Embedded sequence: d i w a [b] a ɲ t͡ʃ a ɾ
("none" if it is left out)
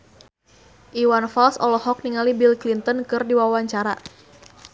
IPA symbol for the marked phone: w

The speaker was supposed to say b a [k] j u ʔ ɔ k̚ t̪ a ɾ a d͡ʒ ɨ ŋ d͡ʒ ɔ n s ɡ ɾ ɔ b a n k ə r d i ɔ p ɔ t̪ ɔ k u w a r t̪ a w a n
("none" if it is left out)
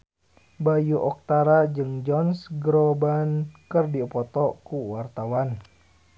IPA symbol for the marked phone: none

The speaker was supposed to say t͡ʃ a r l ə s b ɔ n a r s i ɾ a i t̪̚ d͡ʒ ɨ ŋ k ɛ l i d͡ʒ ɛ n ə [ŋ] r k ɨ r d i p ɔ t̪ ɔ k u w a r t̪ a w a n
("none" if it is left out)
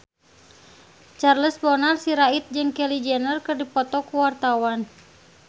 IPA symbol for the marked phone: none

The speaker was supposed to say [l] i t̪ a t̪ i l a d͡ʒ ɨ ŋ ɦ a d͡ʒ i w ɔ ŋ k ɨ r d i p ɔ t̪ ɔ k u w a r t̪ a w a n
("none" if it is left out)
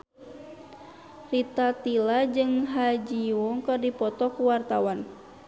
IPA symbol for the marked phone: r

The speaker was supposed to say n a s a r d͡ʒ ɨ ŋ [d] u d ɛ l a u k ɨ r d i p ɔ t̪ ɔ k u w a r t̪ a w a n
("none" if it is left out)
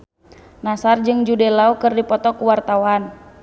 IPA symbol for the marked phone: d͡ʒ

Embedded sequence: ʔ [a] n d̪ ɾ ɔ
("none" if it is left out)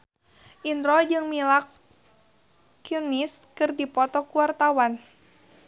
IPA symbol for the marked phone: i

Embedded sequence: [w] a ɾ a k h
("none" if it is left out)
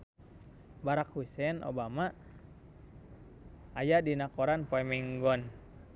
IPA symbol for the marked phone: b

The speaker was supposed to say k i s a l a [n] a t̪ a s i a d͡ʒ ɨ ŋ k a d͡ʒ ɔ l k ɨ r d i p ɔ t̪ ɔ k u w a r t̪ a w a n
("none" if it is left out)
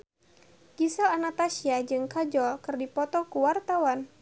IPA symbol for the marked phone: n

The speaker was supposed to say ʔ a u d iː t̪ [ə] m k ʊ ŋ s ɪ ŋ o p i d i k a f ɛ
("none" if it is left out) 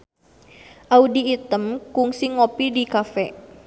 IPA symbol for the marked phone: ə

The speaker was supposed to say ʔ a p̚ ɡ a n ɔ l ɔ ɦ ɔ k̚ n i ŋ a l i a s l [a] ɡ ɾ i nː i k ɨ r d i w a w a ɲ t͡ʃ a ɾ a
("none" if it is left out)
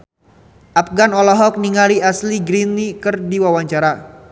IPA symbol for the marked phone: i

